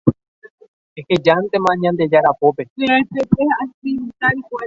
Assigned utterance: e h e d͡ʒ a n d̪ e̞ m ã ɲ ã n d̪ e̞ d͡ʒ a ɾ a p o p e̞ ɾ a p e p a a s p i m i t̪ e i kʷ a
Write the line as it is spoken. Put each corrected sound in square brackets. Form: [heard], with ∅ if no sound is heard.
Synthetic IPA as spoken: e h e d͡ʒ a n [t̪] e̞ m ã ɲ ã n d̪ e̞ d͡ʒ a ɾ a p o p e̞ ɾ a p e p [e] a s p i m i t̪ [a] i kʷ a